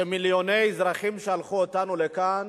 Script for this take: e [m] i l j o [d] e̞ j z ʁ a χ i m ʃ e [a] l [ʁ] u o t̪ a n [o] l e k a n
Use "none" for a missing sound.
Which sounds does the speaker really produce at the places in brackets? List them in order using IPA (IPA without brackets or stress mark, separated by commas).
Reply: m, n, a, χ, u